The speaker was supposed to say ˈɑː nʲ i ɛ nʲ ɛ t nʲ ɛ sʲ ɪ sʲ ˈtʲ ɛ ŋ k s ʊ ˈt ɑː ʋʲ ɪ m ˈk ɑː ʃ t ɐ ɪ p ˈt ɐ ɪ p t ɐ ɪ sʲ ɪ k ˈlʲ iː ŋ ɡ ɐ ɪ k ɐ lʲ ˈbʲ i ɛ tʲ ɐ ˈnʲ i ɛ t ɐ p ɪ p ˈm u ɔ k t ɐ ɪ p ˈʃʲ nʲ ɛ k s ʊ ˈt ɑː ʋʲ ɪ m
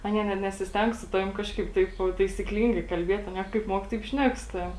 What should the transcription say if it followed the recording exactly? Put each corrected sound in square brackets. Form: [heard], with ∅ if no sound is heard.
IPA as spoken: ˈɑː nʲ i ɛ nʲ ɛ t nʲ ɛ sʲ ɪ sʲ ˈtʲ ɛ ŋ k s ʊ ˈt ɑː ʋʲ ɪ m ˈk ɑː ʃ [k] ɐ ɪ p ˈt ɐ ɪ p t ɐ ɪ sʲ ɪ k ˈlʲ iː ŋ ɡ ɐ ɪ k ɐ lʲ ˈbʲ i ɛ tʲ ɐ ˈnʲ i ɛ [k] ɐ [∅] ɪ p ˈm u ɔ k t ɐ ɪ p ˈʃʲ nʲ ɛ k s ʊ ˈt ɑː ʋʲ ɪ m